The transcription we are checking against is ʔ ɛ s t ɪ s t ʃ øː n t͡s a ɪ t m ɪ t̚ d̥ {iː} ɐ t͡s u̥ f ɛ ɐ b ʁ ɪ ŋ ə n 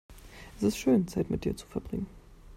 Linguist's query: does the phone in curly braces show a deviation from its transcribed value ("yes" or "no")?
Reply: no